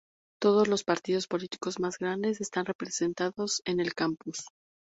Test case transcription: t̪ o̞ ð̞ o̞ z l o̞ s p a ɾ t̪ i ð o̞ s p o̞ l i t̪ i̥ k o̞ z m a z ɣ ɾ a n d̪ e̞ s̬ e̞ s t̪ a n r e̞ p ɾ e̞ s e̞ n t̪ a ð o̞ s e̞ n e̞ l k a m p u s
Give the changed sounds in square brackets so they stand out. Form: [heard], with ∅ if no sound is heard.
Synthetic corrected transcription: t̪ o̞ ð̞ o̞ z l o̞ s p a ɾ t̪ i ð o̞ s p o̞ l i t̪ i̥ k o̞ z m a z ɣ ɾ a n d̪ e̞ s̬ e̞ s t̪ a n r e̞ p ɾ e̞ s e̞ n t̪ a ð o̞ s e̞ n e̞ l k a m p u s